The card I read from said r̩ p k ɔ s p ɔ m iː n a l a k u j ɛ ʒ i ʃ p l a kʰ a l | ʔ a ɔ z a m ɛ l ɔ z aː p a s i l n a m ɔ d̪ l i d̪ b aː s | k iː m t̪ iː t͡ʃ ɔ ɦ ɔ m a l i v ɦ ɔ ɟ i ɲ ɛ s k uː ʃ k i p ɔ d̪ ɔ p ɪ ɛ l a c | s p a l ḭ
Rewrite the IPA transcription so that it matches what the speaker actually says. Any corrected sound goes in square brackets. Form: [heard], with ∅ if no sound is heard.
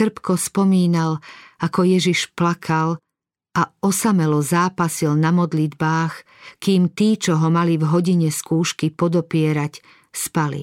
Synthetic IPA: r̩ p k ɔ s p ɔ m iː n a l a k [ɔ] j ɛ ʒ i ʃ p l a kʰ a l | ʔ a ɔ [s] a m ɛ l ɔ z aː p a s i l n a m ɔ d̪ l i d̪ b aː [x] | k iː m t̪ iː t͡ʃ ɔ ɦ ɔ m a l i v ɦ ɔ ɟ i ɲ ɛ s k uː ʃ k i p ɔ d̪ ɔ p ɪ ɛ [ɾ] a c | s p a l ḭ